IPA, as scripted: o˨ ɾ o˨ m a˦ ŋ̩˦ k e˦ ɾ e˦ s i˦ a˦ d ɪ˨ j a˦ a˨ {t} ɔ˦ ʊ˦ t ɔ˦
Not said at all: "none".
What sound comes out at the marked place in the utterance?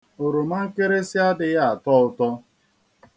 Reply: t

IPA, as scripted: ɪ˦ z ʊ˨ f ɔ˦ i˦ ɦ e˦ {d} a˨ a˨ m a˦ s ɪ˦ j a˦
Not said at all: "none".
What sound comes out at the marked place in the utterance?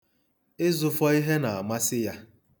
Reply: n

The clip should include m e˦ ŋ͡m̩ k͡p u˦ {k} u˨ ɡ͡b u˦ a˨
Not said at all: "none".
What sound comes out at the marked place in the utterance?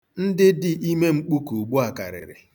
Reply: k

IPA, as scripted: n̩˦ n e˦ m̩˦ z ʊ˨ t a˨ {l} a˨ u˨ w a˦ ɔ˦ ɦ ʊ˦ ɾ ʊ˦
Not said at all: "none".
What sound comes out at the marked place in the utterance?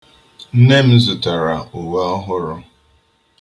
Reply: ɾ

